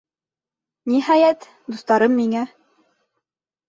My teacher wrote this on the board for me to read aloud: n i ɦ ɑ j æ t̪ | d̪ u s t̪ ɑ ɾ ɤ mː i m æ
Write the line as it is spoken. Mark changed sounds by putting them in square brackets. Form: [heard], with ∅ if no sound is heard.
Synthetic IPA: n i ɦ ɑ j æ t̪ | d̪ u s t̪ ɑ ɾ ɤ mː i [ŋ] æ